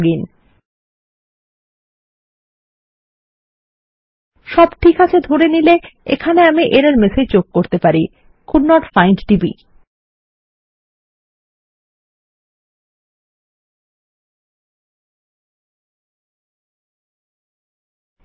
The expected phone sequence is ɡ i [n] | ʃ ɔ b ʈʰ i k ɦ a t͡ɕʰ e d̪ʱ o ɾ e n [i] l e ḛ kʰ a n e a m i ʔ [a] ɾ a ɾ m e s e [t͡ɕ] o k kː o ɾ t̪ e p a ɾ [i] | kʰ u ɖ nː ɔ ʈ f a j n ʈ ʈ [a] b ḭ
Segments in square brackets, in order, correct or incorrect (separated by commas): correct, correct, incorrect, correct, correct, incorrect